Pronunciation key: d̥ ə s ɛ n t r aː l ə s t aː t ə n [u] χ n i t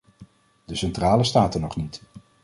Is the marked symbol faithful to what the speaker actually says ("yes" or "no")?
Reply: no